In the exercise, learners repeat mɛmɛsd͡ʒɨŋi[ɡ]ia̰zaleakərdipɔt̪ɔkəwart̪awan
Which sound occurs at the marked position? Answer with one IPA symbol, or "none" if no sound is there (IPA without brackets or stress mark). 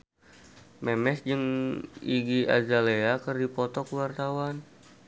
ɡ